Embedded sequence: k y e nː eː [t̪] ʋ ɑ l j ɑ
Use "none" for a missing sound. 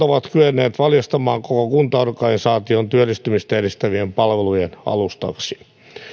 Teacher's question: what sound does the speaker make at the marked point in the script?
t̪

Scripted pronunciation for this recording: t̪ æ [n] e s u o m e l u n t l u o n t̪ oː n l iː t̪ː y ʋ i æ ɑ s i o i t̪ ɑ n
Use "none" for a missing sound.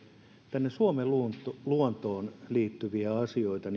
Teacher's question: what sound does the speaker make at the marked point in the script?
nː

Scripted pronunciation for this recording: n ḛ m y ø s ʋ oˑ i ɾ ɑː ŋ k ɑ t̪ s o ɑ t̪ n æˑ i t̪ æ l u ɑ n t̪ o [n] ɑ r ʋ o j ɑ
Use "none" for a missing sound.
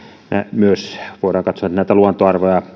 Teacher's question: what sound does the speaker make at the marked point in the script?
none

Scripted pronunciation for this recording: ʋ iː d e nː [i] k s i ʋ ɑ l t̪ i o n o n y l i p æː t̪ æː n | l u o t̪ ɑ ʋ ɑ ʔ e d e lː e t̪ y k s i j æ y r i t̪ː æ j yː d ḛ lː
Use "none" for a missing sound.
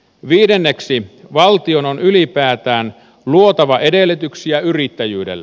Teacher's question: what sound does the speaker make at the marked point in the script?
e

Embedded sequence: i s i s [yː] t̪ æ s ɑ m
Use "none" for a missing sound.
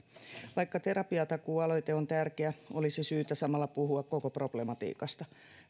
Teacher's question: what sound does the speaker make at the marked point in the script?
yː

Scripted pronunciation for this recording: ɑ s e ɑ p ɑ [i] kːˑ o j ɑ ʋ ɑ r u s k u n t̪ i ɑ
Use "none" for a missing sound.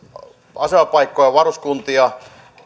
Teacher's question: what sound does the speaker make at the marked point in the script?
i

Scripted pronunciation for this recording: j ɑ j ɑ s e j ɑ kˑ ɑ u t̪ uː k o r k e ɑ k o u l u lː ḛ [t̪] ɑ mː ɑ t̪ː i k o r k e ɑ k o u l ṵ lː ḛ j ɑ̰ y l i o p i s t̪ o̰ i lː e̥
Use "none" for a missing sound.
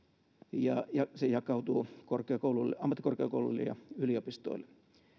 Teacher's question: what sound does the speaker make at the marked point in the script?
none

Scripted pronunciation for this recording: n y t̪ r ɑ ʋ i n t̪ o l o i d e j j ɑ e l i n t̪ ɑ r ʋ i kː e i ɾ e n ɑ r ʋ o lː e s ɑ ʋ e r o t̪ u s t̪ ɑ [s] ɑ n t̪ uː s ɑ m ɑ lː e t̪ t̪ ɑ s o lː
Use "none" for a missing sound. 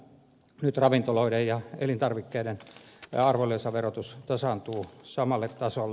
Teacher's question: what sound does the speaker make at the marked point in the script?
s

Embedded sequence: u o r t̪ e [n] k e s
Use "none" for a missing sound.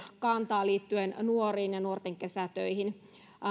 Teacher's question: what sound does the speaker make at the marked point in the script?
ŋ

